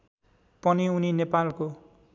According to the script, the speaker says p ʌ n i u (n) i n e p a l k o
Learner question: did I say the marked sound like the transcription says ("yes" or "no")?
yes